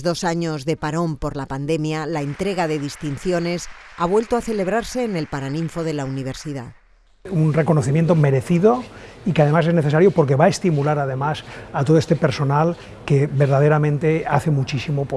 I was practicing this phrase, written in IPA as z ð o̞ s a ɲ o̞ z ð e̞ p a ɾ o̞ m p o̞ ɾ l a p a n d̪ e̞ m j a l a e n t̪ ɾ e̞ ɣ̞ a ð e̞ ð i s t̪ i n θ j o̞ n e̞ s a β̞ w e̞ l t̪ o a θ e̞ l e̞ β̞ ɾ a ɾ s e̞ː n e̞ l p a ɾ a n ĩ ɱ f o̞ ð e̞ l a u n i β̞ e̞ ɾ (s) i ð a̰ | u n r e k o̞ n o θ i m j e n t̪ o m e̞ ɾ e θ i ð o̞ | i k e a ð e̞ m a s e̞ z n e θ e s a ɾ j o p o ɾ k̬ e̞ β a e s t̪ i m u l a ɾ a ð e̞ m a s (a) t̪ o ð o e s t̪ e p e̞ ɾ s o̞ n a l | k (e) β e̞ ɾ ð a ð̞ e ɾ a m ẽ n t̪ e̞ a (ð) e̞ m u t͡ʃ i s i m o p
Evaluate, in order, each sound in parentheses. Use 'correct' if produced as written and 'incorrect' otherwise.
correct, correct, correct, incorrect: θ

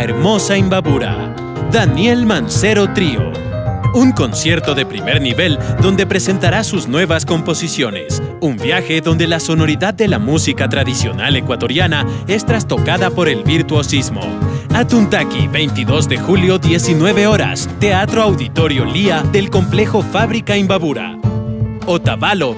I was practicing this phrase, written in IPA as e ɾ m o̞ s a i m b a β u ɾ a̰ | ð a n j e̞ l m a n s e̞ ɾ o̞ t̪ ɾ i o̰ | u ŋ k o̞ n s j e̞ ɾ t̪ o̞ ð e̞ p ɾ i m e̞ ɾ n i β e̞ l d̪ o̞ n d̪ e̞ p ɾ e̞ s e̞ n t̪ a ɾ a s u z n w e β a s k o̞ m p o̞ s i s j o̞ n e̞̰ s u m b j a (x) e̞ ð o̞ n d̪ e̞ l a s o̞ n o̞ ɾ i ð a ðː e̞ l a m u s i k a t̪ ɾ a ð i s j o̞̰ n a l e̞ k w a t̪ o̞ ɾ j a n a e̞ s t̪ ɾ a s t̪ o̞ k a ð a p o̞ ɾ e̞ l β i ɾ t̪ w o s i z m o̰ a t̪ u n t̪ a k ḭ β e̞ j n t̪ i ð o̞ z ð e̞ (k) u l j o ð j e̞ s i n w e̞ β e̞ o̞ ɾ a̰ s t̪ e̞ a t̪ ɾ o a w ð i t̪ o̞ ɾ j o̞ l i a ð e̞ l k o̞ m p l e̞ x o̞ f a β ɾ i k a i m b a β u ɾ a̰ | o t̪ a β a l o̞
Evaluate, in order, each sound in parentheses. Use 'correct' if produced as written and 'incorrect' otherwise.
correct, incorrect: x

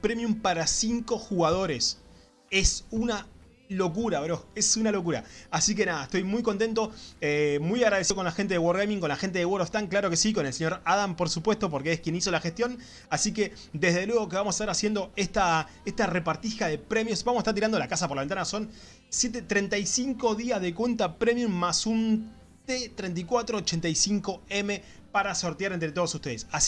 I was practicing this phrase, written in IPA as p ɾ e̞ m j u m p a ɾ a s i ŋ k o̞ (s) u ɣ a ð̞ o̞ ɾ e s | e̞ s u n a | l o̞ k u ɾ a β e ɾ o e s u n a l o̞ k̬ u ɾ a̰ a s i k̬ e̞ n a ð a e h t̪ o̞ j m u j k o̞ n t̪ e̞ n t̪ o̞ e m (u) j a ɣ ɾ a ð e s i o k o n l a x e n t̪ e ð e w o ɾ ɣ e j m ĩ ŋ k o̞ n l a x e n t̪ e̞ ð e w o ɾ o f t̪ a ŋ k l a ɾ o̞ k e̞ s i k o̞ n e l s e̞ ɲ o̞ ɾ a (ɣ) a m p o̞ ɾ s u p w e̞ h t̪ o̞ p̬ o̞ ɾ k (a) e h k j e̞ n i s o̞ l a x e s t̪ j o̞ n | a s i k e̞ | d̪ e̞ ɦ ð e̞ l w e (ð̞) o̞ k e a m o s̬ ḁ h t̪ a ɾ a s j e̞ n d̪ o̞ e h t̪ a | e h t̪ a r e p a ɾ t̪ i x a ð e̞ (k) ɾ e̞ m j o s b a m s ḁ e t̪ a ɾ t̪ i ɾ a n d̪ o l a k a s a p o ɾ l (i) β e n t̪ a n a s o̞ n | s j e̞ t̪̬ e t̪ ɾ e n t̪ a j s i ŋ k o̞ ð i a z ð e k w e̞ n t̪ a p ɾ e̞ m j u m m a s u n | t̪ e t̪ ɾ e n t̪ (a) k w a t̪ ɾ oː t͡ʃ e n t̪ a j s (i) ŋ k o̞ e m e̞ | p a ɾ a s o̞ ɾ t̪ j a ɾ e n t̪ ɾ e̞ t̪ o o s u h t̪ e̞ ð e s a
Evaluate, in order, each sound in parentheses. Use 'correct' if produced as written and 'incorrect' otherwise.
incorrect: x, correct, incorrect: ð, incorrect: e, incorrect: ɣ̞, incorrect: p, incorrect: a, incorrect: i, correct

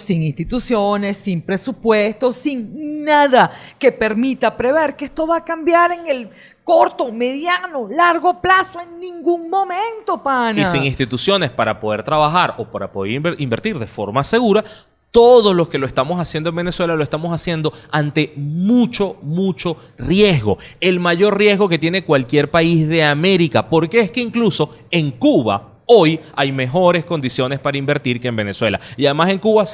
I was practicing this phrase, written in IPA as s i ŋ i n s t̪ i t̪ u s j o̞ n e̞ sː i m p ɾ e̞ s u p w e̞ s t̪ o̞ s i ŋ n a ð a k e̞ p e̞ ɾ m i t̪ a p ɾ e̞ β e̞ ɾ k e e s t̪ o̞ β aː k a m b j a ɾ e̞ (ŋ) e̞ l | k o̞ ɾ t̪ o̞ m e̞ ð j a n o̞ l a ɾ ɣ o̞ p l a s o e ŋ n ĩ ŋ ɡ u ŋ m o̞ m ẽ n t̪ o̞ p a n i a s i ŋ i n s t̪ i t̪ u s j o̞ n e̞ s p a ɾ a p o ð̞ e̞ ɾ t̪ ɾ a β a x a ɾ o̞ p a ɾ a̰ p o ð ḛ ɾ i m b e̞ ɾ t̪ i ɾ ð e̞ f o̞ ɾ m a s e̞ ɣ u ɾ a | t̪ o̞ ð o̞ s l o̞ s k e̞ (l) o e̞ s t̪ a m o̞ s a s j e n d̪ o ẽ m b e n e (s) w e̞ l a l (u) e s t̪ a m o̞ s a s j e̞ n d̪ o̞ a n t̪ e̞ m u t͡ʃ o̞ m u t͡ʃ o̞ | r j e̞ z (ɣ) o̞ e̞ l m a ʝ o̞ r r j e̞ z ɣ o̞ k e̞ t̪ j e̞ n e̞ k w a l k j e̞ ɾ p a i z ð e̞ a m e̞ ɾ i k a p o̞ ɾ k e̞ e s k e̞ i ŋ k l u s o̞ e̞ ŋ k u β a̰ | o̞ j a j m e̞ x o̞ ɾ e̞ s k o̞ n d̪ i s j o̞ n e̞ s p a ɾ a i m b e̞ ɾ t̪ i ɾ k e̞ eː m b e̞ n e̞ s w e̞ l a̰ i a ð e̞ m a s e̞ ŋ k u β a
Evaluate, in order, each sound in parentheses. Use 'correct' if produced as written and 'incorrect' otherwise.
correct, correct, correct, incorrect: o, correct

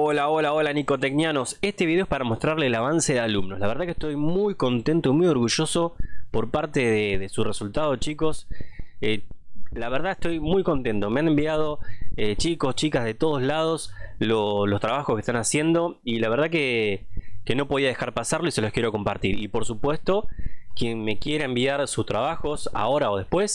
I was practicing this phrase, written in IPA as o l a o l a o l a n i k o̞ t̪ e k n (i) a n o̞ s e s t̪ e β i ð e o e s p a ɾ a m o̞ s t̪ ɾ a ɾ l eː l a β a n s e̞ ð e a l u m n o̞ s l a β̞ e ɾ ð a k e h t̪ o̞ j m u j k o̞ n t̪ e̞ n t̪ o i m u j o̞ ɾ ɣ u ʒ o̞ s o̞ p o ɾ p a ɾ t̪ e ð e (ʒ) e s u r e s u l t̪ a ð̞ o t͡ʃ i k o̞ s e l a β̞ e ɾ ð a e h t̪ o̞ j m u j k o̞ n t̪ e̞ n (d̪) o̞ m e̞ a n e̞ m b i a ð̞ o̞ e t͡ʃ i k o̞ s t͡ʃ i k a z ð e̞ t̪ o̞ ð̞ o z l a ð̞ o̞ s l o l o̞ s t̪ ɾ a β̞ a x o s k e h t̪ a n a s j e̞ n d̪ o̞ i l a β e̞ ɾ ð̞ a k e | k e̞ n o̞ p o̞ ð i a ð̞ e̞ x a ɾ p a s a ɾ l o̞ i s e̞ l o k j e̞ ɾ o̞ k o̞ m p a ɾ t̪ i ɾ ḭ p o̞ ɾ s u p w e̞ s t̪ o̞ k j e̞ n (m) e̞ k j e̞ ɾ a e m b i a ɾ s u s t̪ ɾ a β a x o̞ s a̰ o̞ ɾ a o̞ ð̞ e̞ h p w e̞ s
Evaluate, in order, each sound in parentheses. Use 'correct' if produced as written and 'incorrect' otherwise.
incorrect: j, incorrect: ð, incorrect: t̪, correct

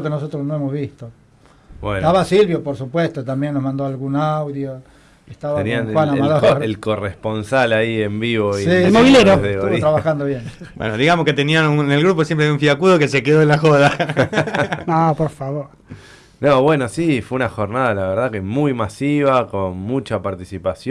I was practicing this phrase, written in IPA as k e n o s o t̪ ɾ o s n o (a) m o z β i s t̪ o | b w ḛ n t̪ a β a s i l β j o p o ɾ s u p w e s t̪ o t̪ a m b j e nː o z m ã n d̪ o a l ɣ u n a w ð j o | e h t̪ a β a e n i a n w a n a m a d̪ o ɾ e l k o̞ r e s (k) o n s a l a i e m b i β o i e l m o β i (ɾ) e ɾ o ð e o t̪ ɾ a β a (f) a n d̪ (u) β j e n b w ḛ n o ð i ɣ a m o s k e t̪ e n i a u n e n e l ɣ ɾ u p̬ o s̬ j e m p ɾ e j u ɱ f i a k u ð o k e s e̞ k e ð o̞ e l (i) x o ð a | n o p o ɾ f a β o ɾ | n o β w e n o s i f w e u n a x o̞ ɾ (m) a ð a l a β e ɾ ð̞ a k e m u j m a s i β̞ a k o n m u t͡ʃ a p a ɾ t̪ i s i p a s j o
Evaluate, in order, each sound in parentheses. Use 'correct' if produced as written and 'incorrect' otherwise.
incorrect: e, incorrect: p, incorrect: l, incorrect: x, incorrect: o, incorrect: a, incorrect: n

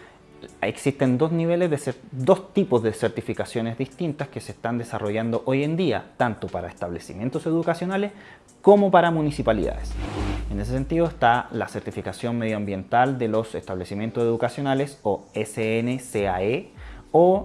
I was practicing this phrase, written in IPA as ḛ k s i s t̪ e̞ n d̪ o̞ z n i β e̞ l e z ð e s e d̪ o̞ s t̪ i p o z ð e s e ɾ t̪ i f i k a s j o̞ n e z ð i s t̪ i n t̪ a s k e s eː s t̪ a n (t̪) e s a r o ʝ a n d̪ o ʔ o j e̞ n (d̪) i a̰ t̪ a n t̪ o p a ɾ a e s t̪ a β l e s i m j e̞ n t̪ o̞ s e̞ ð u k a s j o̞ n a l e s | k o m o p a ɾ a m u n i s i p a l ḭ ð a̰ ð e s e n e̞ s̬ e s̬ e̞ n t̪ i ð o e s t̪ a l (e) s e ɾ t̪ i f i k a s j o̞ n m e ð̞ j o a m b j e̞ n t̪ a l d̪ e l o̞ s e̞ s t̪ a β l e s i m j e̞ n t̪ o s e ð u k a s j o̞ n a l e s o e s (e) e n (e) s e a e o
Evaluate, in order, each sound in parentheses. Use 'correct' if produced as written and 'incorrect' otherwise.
incorrect: d̪, correct, incorrect: a, correct, correct

